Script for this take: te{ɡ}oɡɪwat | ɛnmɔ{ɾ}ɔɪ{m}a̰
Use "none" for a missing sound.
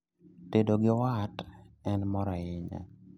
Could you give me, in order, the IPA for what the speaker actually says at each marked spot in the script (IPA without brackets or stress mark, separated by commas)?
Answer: d, ɾ, ɲ